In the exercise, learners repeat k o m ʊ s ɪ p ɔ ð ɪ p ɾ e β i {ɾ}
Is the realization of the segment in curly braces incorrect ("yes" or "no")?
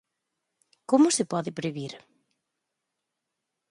no